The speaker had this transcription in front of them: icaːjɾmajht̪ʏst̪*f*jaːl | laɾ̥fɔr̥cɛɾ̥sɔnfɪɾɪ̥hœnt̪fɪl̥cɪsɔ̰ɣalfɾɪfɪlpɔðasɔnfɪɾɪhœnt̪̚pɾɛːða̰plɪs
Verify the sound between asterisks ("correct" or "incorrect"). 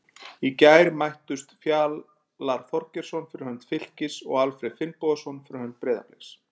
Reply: correct